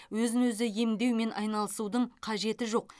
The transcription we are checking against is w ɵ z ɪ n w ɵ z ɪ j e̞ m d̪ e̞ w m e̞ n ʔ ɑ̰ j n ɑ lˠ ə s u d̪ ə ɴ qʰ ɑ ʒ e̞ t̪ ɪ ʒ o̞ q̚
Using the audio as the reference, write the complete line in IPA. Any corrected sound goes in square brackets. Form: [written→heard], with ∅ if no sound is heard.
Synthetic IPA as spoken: w ɵ z ɪ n w ɵ z ɪ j e̞ m d̪ e̞ w m e̞ n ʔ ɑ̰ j n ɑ lˠ ə s u d̪ ə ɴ qʰ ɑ ʒ e̞ t̪ ɪ ʒ o̞ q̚

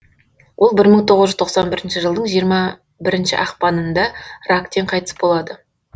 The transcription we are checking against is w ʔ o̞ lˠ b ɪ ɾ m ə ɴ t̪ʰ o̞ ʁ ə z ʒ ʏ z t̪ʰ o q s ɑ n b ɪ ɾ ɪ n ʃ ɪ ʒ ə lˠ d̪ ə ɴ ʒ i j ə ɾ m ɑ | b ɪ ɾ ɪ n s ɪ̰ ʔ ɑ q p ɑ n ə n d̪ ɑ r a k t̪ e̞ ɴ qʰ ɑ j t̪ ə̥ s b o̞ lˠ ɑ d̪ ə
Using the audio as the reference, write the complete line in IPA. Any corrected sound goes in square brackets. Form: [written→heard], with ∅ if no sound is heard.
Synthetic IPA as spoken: w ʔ o̞ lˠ b ɪ ɾ m ə ɴ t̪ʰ o̞ ʁ ə z ʒ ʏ z t̪ʰ o q s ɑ n b ɪ ɾ ɪ n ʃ ɪ ʒ ə lˠ d̪ ə ɴ ʒ i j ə ɾ m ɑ | b ɪ ɾ ɪ n [s→ʃ] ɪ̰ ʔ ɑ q p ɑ n ə n d̪ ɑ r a k t̪ e̞ ɴ qʰ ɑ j t̪ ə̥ s b o̞ lˠ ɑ d̪ ə

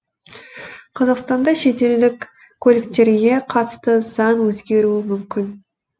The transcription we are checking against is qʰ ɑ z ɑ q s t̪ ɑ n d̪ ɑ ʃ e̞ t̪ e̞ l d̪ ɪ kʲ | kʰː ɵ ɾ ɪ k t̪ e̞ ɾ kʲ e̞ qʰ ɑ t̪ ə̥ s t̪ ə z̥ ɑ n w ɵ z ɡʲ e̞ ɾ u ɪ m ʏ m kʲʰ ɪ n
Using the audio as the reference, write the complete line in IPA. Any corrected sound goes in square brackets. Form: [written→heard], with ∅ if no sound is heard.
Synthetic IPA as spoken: qʰ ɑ z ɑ q s t̪ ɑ n d̪ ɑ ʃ e̞ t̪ e̞ l d̪ ɪ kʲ | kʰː ɵ [ɾ→l] ɪ k t̪ e̞ ɾ [kʲ→ɡʲ] e̞ qʰ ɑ t̪ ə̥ s t̪ ə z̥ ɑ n w ɵ z ɡʲ e̞ ɾ u ɪ m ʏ m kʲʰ ɪ n

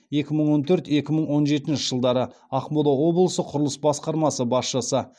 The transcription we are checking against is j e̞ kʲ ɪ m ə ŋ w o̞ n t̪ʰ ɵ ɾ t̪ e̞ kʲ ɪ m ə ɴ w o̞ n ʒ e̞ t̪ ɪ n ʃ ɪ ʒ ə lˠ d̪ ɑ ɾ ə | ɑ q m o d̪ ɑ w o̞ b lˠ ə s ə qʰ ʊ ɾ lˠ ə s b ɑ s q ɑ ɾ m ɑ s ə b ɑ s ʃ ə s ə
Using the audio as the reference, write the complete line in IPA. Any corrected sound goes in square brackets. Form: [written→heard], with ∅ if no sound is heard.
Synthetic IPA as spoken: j e̞ kʲ ɪ m ə [ŋ→ɴ] w o̞ n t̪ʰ ɵ ɾ t̪ e̞ kʲ ɪ m ə ɴ w o̞ n ʒ e̞ t̪ ɪ n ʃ ɪ ʒ ə lˠ d̪ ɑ ɾ ə | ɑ q m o d̪ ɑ w o̞ b lˠ ə s ə qʰ ʊ ɾ lˠ ə s b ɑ s q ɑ ɾ m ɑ s ə b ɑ s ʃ ə s ə

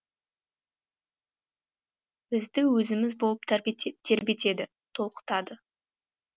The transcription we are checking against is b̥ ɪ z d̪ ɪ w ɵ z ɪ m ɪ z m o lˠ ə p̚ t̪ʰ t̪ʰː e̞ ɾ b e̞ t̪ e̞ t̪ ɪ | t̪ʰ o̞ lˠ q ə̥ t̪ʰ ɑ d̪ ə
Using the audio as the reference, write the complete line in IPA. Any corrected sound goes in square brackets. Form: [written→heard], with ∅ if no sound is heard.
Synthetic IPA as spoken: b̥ ɪ z d̪ ɪ w ɵ z ɪ m ɪ z [m→b] o lˠ ə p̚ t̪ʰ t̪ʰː e̞ ɾ b e̞ t̪ e̞ [t̪→d̪] ɪ | t̪ʰ o̞ lˠ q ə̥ [t̪ʰ→t̪] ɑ d̪ ə

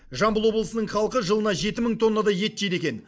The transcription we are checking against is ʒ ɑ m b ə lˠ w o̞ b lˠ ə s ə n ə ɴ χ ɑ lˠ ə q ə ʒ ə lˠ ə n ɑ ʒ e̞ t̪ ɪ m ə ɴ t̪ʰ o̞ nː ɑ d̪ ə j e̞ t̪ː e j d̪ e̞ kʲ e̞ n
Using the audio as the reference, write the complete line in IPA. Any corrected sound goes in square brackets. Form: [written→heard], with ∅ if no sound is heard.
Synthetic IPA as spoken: ʒ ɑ m b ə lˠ w o̞ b lˠ ə s ə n ə ɴ χ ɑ lˠ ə q ə ʒ ə lˠ ə n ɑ ʒ e̞ t̪ ɪ m ə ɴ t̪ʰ o̞ nː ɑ d̪ [ə→ɑ] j e̞ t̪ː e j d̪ e̞ kʲ e̞ n

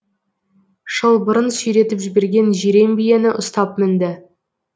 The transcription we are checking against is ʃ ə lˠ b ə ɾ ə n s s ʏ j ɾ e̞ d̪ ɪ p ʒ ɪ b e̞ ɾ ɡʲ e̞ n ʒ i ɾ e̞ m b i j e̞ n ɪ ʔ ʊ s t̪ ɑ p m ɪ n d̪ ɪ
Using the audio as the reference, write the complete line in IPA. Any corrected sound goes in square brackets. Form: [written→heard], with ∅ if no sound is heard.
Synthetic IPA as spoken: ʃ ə lˠ b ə ɾ ə n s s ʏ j ɾ e̞ [d̪→t̪] ɪ p ʒ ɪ b e̞ ɾ ɡʲ e̞ n ʒ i ɾ e̞ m b i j e̞ n ɪ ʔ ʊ s t̪ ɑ p m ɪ n d̪ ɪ

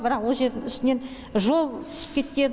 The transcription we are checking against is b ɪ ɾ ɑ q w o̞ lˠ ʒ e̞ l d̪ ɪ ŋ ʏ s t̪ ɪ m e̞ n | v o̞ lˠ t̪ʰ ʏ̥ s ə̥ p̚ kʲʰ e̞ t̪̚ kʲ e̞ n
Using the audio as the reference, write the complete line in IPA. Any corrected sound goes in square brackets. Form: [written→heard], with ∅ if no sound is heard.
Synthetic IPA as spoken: b ɪ ɾ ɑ q w o̞ lˠ ʒ e̞ [l→ɾ] d̪ ɪ ŋ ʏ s t̪ ɪ [m→n] e̞ n | [v→ʒ] o̞ lˠ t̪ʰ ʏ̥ s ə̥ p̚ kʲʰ e̞ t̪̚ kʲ e̞ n

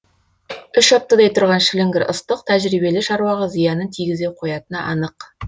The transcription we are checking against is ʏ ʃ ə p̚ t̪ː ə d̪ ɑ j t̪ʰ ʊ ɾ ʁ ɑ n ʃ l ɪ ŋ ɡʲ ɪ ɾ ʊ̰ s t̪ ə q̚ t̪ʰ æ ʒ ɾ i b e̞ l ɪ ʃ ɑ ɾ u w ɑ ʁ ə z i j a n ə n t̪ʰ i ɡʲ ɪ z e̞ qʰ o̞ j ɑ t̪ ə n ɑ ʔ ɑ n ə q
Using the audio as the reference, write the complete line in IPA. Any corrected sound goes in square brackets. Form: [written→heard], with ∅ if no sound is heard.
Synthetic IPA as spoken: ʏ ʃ [ə→ɑ] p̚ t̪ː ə d̪ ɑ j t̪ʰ ʊ ɾ ʁ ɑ n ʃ l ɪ ŋ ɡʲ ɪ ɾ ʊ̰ s t̪ ə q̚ t̪ʰ æ ʒ ɾ i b e̞ l ɪ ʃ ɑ ɾ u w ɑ ʁ ə z i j [a→ɑ] n ə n t̪ʰ i ɡʲ ɪ z e̞ qʰ o̞ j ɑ t̪ ə n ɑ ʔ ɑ n ə q

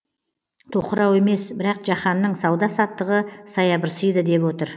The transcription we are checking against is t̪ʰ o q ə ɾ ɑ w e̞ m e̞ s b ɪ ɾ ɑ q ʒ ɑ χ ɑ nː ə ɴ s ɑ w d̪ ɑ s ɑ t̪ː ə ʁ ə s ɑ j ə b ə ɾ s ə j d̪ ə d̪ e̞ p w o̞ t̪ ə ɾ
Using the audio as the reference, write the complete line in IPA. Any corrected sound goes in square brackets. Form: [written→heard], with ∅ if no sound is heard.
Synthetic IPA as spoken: t̪ʰ o q ə ɾ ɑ w e̞ m e̞ s b ɪ ɾ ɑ q ʒ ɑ χ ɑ nː ə ɴ s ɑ w d̪ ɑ s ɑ t̪ː ə ʁ ə s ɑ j [ə→ɑ] b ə ɾ s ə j d̪ ə d̪ e̞ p w o̞ t̪ ə ɾ

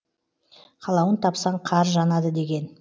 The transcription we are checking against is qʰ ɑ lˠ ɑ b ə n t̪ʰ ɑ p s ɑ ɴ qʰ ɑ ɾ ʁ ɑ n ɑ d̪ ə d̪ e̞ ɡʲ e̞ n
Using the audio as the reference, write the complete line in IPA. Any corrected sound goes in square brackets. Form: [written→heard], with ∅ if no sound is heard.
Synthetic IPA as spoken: qʰ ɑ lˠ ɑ [b→w] ə n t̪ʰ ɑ p s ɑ ɴ qʰ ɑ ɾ [ʁ→ʒ] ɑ n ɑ d̪ ə d̪ e̞ ɡʲ e̞ n

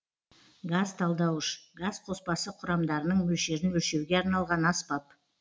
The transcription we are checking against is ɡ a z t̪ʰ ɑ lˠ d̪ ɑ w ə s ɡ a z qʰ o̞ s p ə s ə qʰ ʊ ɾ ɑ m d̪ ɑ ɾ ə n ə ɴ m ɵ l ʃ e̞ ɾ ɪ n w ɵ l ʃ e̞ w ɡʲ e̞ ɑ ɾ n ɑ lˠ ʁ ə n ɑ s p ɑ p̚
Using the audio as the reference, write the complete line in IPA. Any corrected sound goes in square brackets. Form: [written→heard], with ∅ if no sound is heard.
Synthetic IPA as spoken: ɡ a z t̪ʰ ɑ lˠ d̪ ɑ w ə [s→ʃ] ɡ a z qʰ o̞ s p [ə→ɑ] s ə qʰ ʊ ɾ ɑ m d̪ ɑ ɾ ə n ə ɴ m ɵ l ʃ e̞ ɾ ɪ n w ɵ l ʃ e̞ w ɡʲ e̞ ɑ ɾ n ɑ lˠ ʁ [ə→ɑ] n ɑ s p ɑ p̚

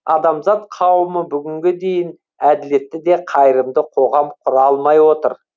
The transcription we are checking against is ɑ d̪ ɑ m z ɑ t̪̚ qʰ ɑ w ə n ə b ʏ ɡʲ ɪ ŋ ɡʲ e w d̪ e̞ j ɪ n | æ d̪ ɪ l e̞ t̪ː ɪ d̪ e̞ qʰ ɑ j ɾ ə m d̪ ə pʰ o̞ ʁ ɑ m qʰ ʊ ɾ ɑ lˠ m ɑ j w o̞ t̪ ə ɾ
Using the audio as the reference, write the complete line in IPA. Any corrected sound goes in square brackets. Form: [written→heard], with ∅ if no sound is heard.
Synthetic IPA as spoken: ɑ d̪ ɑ m z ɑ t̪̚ qʰ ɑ w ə [n→m] ə b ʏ ɡʲ ɪ ŋ ɡʲ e [w→∅] d̪ e̞ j ɪ n | æ d̪ ɪ l e̞ t̪ː ɪ d̪ e̞ qʰ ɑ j ɾ ə m d̪ ə [pʰ→qʰ] o̞ ʁ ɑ m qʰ ʊ ɾ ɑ lˠ m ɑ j w o̞ t̪ ə ɾ

